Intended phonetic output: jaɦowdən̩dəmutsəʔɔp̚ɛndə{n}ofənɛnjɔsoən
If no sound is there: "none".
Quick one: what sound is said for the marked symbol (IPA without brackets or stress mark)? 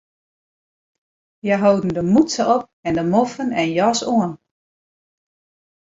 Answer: m